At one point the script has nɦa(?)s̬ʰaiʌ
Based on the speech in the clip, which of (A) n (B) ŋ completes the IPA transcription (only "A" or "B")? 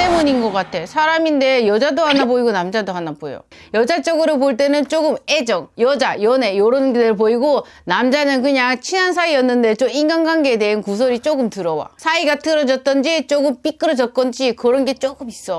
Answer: A